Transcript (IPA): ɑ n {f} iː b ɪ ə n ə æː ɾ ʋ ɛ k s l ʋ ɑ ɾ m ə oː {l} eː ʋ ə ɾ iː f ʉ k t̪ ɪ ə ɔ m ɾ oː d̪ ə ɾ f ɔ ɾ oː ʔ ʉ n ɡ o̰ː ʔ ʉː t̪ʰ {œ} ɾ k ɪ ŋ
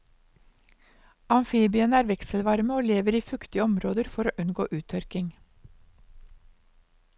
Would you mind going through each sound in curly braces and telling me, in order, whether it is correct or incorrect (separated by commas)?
correct, correct, correct